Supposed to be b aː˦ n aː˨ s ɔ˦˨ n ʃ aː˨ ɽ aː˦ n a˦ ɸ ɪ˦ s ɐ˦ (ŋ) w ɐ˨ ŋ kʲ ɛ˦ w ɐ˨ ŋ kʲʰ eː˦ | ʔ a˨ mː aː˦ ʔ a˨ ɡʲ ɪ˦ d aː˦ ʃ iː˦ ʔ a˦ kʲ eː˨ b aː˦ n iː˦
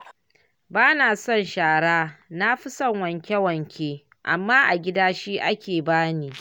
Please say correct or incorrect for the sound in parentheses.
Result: correct